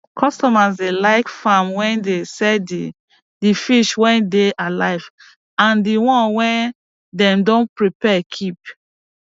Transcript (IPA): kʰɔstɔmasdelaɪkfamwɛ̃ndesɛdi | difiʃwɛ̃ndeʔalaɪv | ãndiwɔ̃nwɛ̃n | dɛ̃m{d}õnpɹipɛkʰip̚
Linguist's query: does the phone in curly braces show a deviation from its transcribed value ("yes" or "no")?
no